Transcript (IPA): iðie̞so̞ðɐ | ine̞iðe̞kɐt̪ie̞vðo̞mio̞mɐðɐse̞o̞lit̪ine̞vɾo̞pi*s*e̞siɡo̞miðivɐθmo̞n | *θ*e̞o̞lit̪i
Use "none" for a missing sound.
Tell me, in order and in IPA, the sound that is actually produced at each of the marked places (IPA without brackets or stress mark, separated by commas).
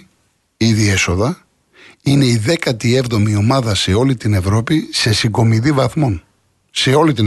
s, s